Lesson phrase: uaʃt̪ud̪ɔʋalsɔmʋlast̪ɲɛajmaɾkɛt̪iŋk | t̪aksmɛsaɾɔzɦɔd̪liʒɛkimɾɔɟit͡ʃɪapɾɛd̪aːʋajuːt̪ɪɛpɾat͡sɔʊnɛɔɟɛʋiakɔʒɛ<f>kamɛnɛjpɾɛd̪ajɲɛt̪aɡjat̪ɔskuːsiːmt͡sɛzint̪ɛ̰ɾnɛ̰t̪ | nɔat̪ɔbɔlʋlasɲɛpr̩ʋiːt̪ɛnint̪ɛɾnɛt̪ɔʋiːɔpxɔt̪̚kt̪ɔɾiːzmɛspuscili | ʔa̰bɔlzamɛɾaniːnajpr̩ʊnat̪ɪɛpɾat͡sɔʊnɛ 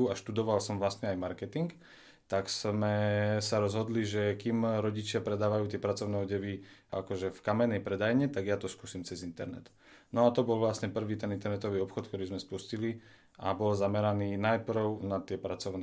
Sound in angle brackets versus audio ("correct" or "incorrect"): correct